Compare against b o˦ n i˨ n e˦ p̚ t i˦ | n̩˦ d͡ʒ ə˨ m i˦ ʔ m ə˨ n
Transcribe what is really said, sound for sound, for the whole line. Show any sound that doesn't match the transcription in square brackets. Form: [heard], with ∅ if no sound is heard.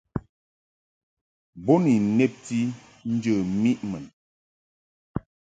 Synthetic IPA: b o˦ n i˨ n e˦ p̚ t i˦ | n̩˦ d͡ʒ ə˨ m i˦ ʔ m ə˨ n